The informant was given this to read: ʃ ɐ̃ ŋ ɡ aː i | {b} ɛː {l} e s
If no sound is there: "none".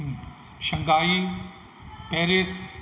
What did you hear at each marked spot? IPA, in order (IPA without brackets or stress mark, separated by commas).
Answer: p, ɾ